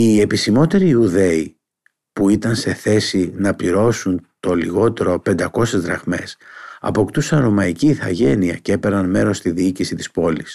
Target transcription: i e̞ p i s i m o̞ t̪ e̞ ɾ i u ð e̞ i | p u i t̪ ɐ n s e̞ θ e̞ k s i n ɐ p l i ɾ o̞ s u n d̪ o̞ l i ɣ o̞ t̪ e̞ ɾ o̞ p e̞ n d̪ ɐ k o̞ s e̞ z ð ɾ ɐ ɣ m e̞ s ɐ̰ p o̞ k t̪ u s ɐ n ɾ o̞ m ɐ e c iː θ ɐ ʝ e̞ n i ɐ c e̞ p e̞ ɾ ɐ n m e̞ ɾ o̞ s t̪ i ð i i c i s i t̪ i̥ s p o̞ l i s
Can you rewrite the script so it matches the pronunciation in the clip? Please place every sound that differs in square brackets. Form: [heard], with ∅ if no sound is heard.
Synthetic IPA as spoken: i e̞ p i s i m o̞ t̪ e̞ ɾ i u ð e̞ i | p u i t̪ ɐ n s e̞ θ e̞ [∅] s i n ɐ p l i ɾ o̞ s u n [t̪] o̞ l i ɣ o̞ t̪ e̞ ɾ o̞ p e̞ n d̪ ɐ k o̞ s e̞ z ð ɾ ɐ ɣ m e̞ s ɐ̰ p o̞ k t̪ u s ɐ n ɾ o̞ m ɐ [i] c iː θ ɐ ʝ e̞ n i ɐ c e̞ p e̞ ɾ ɐ n m e̞ ɾ o̞ s t̪ i ð i i c i s i t̪ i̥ s p o̞ l i s